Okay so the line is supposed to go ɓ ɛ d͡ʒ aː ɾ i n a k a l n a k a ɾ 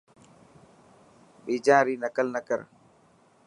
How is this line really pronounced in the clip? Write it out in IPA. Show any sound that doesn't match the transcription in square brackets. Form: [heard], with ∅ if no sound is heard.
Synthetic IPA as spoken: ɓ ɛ d͡ʒ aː ɾ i n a k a l n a k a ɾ

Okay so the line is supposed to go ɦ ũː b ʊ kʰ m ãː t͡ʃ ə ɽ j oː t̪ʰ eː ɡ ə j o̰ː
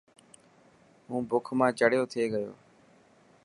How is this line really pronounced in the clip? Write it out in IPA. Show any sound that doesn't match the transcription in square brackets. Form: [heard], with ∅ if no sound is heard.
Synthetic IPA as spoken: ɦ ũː b ʊ kʰ m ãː t͡ʃ ə ɽ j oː t̪ʰ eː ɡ ə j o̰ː

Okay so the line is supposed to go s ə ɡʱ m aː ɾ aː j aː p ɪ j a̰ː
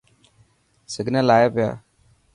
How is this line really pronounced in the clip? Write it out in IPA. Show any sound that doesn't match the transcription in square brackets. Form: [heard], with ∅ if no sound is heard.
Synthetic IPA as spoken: s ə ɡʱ [n] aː [l] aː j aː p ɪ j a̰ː

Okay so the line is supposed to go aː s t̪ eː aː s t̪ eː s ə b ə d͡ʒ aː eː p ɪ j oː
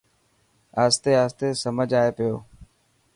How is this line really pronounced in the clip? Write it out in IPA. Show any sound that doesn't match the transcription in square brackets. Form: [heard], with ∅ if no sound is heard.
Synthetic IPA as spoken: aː s t̪ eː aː s t̪ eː s ə [m] ə d͡ʒ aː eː p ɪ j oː

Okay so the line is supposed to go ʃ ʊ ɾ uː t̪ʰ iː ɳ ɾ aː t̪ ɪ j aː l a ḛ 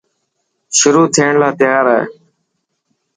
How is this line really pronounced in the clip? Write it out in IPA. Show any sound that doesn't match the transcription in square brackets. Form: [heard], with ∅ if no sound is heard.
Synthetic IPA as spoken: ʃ ʊ ɾ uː t̪ʰ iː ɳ [l] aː t̪ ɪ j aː [ɾ] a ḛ

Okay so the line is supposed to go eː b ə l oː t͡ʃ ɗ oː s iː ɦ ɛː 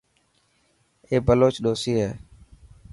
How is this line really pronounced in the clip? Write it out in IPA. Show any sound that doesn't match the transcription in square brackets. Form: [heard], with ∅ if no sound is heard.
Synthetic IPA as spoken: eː b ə l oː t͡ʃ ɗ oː s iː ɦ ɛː

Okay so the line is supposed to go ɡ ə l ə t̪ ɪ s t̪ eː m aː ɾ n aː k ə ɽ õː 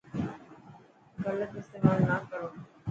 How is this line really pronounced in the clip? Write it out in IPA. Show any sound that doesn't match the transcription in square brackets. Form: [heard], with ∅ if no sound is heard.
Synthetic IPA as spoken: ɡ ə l ə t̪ ɪ s t̪ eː m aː [l] n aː k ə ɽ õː

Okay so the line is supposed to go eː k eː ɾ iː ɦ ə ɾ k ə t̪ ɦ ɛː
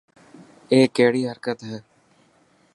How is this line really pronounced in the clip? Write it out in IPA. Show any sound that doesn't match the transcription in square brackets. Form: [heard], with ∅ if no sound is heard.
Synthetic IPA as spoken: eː k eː [ɽ] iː ɦ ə ɾ k ə t̪ ɦ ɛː

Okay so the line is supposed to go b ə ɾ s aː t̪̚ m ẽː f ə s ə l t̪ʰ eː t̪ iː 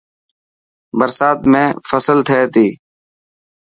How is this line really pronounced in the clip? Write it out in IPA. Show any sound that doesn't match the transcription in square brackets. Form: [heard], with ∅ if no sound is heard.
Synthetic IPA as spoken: b ə ɾ s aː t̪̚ m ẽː f ə s ə l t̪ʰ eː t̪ iː

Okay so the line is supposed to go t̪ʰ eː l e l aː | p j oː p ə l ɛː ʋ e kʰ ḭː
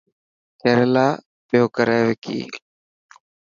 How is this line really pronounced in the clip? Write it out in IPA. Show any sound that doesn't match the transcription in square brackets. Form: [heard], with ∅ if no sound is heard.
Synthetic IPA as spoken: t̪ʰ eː [ɾ] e l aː | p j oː [k] ə [ɾ] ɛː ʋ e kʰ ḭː

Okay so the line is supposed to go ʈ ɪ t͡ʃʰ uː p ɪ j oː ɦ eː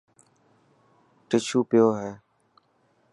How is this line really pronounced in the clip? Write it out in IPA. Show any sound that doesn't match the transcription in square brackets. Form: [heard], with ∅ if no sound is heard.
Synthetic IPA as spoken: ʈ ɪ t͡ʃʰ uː p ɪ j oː ɦ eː

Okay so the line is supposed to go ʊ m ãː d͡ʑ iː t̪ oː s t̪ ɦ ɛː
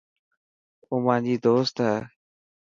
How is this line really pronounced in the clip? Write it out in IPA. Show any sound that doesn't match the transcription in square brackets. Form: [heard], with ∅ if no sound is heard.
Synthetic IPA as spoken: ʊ m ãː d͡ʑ iː [d̪] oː s t̪ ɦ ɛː

